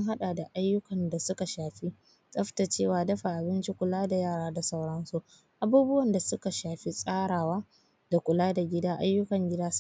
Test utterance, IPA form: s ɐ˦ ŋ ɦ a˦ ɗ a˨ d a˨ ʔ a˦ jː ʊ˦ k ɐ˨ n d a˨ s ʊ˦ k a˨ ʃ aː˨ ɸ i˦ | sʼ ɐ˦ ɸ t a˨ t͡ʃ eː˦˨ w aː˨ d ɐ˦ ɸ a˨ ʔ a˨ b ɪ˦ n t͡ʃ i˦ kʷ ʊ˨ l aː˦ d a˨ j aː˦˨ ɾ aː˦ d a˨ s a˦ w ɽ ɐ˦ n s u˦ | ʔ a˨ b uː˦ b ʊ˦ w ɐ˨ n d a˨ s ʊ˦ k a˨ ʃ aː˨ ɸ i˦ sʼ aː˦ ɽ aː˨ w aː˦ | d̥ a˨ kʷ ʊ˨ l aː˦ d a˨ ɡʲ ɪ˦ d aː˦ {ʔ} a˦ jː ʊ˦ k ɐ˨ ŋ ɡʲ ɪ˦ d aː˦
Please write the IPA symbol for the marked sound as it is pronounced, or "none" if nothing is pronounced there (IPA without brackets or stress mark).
ʔ